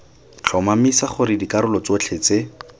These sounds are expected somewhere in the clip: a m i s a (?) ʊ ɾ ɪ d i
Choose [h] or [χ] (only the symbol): χ